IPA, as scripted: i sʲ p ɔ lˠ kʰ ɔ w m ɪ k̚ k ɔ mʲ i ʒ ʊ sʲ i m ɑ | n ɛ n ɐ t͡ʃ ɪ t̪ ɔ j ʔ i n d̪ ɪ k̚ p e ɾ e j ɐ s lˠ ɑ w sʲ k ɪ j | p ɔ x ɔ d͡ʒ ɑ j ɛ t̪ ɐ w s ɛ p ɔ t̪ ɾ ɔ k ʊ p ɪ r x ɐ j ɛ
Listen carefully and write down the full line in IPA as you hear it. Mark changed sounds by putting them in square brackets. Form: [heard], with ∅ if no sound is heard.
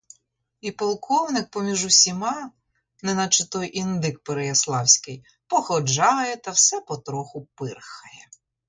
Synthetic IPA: i [∅] p ɔ lˠ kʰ ɔ w [n] ɪ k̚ [p] ɔ mʲ i ʒ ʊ sʲ i m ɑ | n ɛ n ɐ t͡ʃ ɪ t̪ ɔ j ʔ i n d̪ ɪ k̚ p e ɾ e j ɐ s lˠ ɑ w sʲ k ɪ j | p ɔ x ɔ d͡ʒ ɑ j ɛ t̪ ɐ w s ɛ p ɔ t̪ ɾ ɔ [x] ʊ p ɪ r x ɐ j ɛ